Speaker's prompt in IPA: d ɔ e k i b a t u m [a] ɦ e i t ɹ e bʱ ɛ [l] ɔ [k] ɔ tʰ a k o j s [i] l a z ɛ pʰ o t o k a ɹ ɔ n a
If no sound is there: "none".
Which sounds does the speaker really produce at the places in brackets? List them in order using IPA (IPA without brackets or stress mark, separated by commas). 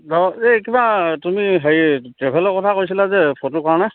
i, l, k, i